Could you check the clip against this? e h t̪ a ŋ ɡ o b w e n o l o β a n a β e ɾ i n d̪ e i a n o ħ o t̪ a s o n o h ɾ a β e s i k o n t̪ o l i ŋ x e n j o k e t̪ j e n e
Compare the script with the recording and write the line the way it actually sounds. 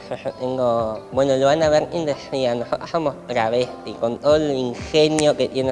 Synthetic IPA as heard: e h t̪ e ŋ ɡ o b w e n o l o β a n a β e ɾ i n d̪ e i a n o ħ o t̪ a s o m o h ɾ a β e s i k o n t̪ o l i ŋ x e n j o k e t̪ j e n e